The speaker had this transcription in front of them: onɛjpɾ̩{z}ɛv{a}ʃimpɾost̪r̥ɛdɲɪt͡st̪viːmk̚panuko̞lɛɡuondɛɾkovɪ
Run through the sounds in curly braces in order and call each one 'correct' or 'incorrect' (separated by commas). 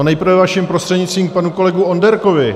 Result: incorrect, correct